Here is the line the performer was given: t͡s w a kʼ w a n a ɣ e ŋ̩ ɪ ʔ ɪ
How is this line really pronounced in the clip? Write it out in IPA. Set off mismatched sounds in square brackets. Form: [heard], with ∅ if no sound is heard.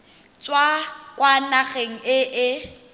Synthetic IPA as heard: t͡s w a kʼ w a n a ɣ e ŋ̩ ɪ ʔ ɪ